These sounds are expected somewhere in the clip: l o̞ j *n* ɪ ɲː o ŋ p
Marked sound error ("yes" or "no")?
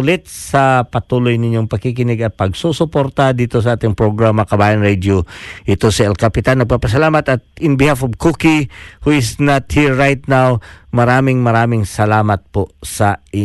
no